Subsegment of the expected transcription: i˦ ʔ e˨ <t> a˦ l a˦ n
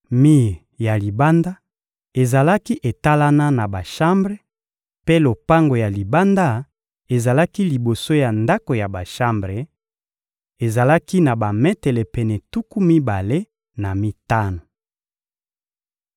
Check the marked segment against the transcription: correct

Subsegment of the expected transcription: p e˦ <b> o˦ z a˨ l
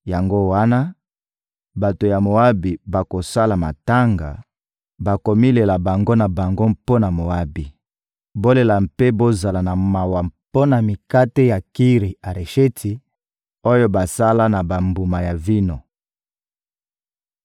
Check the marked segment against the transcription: correct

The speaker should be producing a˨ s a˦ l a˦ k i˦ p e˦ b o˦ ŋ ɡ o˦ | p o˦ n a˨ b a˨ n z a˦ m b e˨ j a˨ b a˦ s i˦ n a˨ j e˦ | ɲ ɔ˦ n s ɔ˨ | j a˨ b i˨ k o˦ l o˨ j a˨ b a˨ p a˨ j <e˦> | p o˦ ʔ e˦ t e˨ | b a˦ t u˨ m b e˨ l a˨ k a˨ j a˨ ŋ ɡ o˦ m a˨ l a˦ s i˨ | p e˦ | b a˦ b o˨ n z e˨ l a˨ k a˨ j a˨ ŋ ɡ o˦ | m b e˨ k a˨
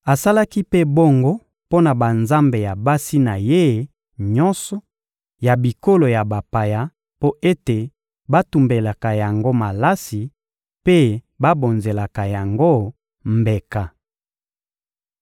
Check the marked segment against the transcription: incorrect: a˦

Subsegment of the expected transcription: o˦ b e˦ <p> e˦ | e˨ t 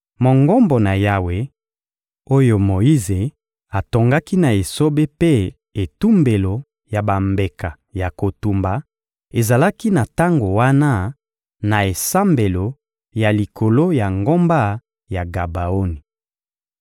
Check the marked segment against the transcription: correct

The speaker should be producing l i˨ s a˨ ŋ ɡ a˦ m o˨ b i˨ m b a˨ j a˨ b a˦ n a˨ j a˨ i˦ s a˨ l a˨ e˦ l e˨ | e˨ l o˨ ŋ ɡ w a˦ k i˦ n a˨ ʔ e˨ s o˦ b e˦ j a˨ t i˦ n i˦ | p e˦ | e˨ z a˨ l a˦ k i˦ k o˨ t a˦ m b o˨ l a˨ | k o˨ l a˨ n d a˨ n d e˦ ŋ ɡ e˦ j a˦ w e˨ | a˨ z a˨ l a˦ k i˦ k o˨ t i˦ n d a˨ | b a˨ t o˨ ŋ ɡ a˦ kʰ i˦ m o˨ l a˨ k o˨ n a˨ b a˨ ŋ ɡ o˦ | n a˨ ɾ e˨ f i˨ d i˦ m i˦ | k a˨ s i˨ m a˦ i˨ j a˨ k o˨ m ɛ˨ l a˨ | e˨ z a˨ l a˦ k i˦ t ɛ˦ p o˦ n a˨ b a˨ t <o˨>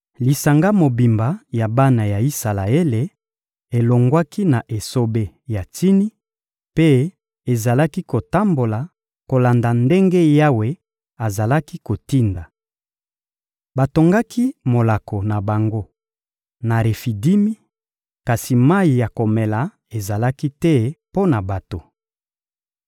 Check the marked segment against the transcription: correct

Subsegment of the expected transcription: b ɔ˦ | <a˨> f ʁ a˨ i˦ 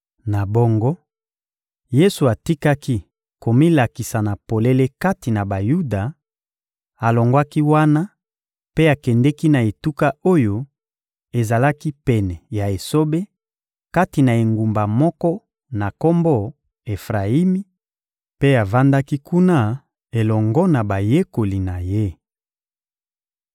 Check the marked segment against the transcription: incorrect: e˨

